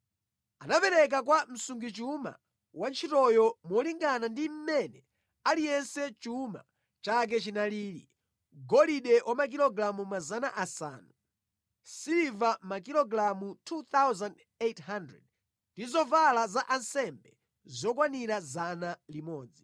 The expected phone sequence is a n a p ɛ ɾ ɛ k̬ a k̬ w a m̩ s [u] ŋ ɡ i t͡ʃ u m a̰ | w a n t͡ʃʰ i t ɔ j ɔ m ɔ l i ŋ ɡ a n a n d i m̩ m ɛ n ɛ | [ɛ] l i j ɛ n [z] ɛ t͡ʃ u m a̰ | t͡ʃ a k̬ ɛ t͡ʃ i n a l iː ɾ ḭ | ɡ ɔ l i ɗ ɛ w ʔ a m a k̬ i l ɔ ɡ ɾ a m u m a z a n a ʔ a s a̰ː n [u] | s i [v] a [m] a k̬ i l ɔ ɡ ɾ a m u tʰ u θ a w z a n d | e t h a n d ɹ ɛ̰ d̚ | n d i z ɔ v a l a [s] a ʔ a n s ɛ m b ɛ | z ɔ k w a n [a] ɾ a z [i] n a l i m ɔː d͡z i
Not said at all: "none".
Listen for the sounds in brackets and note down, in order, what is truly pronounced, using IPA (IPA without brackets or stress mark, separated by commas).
u, a, s, u, v, m, z, i, a